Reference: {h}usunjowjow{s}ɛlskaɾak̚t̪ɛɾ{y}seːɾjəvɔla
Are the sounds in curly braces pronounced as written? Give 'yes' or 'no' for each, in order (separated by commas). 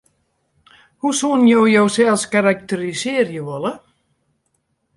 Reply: yes, yes, no